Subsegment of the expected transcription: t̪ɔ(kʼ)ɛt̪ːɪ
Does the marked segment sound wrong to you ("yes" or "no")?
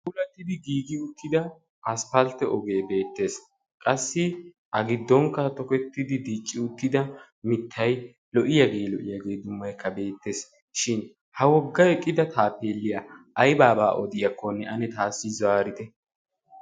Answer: yes